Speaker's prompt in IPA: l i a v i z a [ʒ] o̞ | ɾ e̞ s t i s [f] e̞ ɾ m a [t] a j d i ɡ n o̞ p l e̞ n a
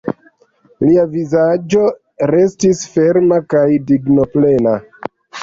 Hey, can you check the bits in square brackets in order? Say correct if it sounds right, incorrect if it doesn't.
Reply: incorrect: d͡ʒ, correct, incorrect: k

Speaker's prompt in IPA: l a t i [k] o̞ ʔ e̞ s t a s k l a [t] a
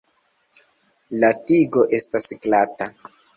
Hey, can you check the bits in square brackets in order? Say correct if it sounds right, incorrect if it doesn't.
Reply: incorrect: ɡ, correct

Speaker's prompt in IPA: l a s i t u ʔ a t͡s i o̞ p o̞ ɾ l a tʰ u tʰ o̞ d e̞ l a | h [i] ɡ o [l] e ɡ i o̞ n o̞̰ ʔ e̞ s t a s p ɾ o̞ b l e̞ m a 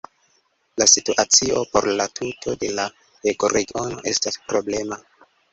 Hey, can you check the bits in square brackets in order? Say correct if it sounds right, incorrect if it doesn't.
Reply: incorrect: e, incorrect: ɾ

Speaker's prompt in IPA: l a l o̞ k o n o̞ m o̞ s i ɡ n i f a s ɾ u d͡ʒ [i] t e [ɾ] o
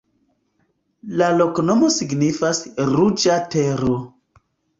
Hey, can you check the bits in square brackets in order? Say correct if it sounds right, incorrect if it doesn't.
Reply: incorrect: a, correct

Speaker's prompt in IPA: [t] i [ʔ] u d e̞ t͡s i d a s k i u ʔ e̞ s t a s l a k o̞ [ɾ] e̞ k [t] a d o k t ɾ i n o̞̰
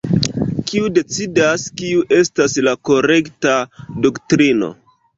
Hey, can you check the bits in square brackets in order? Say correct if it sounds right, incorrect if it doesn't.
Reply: incorrect: k, incorrect: none, correct, correct

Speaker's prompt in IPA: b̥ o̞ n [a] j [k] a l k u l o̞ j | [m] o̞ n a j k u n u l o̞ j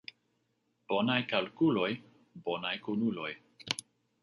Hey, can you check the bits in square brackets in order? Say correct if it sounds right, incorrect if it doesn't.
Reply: correct, correct, incorrect: b

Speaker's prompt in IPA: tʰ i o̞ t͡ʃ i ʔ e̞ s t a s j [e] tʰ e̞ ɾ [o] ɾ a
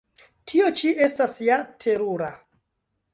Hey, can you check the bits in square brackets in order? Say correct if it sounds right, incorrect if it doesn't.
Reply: incorrect: a, incorrect: u

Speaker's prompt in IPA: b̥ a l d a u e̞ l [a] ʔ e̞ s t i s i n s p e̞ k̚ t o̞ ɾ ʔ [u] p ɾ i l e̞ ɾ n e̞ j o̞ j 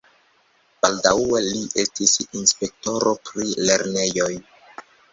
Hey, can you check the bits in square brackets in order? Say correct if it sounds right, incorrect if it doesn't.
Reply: incorrect: i, incorrect: o

